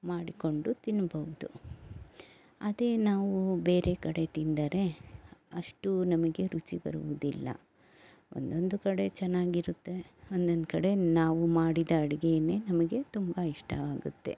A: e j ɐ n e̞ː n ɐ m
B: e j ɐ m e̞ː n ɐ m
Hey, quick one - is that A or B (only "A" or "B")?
A